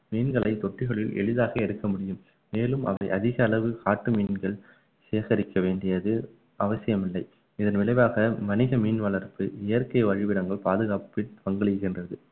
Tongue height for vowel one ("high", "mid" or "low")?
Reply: high